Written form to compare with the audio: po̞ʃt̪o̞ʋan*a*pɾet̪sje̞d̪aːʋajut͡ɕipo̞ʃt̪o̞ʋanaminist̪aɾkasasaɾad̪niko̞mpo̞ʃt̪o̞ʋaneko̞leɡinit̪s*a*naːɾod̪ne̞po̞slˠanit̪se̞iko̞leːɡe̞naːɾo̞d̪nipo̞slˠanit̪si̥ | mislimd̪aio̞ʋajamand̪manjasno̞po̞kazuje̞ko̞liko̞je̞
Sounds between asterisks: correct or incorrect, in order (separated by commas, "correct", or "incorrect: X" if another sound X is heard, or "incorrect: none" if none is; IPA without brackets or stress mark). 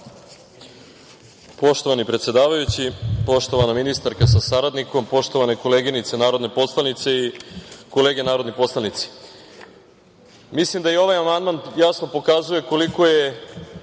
incorrect: i, incorrect: e